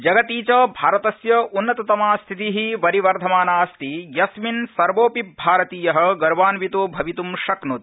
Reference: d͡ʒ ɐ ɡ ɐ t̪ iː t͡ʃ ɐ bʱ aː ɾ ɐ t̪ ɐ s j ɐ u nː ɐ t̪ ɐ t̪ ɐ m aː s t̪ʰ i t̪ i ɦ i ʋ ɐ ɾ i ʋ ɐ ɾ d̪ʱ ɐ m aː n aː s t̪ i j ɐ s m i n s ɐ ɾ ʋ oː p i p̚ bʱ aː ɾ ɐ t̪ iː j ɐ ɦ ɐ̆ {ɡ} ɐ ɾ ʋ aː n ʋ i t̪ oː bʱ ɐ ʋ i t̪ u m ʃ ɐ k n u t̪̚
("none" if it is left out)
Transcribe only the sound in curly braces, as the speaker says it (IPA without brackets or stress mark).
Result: ɡ